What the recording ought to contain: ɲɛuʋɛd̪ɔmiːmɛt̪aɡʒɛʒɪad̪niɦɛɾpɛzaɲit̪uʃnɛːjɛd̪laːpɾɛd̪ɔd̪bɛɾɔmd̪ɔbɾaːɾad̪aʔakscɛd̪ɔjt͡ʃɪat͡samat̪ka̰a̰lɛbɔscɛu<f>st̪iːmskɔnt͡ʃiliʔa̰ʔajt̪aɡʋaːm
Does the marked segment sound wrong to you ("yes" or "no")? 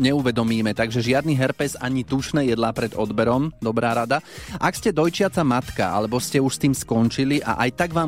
yes